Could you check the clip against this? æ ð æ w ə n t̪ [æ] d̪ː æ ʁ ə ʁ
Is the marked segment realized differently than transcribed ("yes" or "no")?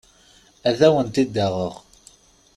yes